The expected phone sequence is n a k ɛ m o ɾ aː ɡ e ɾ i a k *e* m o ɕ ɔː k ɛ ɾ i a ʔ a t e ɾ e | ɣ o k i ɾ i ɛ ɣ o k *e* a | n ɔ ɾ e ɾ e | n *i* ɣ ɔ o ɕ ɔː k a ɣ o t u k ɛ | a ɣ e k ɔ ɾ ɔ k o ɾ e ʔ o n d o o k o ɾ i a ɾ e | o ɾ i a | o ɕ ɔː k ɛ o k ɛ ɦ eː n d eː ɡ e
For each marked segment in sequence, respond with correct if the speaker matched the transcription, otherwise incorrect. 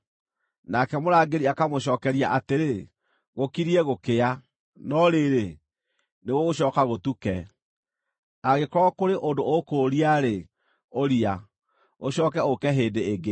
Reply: incorrect: a, correct, incorrect: e

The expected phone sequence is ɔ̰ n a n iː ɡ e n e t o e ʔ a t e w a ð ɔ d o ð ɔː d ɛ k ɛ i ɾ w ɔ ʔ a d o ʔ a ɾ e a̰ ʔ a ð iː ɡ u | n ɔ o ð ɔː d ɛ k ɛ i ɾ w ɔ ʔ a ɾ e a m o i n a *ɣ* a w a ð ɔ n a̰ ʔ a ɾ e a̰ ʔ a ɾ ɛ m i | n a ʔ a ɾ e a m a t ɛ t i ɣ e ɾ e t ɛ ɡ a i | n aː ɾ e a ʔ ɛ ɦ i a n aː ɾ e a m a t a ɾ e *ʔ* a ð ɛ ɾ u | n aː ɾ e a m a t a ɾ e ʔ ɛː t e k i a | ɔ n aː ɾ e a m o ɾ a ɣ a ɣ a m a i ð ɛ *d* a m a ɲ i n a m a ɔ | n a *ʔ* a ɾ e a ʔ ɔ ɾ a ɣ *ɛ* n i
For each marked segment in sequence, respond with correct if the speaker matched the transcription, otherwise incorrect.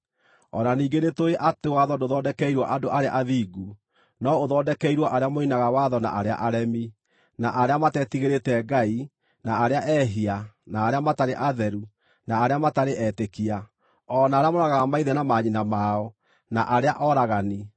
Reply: correct, correct, incorrect: n, correct, incorrect: a

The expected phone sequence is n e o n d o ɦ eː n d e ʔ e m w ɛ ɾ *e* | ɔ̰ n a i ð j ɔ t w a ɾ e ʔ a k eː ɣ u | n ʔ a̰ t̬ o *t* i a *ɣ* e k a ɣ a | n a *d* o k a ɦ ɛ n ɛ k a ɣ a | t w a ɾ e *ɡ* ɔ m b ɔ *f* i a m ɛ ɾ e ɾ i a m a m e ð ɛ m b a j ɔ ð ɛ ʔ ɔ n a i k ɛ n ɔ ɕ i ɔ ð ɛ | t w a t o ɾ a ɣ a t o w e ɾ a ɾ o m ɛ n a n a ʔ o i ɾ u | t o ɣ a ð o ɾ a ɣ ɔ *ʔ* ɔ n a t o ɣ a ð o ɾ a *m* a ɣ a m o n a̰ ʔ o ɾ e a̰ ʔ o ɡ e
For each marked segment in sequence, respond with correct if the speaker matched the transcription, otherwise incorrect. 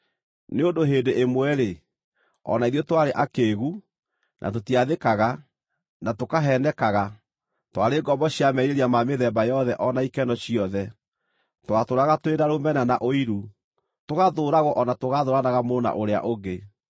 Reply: correct, correct, incorrect: ð, incorrect: t, correct, incorrect: ɕ, correct, incorrect: n

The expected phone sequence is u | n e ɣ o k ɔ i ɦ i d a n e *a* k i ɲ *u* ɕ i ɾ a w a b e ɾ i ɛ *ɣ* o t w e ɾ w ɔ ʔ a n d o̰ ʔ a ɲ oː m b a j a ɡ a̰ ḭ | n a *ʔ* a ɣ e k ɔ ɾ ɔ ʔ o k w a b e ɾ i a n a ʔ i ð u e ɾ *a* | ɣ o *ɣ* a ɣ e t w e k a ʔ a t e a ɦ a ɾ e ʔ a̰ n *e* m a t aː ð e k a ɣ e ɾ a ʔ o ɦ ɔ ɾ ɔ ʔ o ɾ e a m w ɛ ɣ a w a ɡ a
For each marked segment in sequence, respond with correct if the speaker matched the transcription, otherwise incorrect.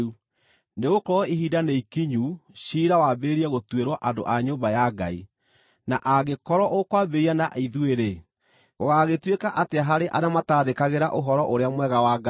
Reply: incorrect: i, correct, correct, correct, incorrect: e, correct, incorrect: a

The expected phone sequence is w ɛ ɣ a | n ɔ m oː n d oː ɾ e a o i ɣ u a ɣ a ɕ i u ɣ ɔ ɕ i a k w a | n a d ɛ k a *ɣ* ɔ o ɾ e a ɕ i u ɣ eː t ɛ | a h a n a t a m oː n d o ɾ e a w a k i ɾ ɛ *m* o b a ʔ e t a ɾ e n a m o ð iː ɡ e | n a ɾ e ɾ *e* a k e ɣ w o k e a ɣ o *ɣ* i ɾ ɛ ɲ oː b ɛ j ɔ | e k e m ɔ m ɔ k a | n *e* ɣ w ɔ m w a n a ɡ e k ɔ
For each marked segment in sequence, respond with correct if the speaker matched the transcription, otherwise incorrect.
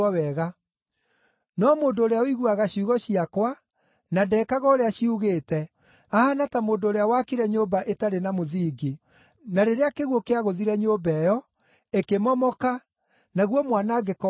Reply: correct, incorrect: ɲ, correct, incorrect: ð, incorrect: a

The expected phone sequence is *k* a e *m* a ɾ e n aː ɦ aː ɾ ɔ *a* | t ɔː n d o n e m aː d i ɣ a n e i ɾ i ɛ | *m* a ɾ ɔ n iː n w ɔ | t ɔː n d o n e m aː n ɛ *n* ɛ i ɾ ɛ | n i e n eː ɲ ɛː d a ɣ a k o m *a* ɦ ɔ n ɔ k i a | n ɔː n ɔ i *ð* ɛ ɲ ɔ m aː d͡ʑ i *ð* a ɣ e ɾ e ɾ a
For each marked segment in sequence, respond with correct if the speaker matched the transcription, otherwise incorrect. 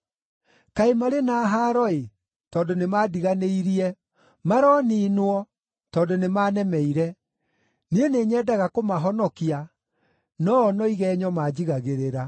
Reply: correct, correct, incorrect: e, correct, incorrect: m, correct, incorrect: ɣ, incorrect: ɣ

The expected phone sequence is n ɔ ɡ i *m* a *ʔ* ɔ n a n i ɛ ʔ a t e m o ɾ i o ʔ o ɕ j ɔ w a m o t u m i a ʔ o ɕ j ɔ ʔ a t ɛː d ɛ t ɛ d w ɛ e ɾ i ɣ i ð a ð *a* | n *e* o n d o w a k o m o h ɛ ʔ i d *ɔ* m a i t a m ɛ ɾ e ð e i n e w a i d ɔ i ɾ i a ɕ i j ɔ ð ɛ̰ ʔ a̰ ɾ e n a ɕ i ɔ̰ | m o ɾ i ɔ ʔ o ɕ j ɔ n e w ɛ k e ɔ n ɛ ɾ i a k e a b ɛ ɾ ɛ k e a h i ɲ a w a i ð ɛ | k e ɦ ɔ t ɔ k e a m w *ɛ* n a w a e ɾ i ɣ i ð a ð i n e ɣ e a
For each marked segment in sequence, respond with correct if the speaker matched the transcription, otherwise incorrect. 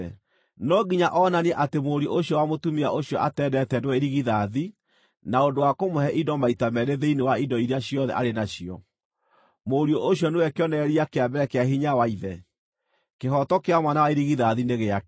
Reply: incorrect: ɲ, correct, incorrect: i, incorrect: a, correct, incorrect: a

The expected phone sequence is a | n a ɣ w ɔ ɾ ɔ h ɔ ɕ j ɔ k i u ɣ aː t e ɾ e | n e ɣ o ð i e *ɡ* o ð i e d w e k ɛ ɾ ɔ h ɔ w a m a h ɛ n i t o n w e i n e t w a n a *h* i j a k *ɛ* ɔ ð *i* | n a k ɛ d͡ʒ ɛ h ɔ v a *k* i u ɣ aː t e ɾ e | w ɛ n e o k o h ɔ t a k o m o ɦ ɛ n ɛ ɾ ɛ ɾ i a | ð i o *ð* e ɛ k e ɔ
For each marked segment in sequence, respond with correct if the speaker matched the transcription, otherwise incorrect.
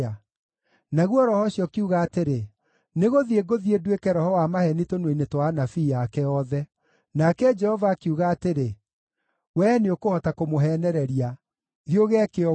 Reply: correct, incorrect: f, correct, incorrect: ɛ, correct, incorrect: ɣ

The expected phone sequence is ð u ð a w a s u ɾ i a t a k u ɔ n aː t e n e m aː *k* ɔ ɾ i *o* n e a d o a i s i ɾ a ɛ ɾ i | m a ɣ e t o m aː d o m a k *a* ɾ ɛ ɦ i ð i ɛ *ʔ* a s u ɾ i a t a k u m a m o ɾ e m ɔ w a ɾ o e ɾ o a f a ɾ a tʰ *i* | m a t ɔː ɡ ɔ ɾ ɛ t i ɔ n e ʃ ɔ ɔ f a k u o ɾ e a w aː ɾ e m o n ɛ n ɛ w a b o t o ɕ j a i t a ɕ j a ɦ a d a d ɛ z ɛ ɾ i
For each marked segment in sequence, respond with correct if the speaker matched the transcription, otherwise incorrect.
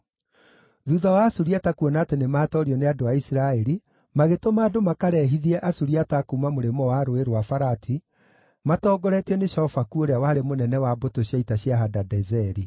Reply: incorrect: t, incorrect: ɔ, correct, correct, correct

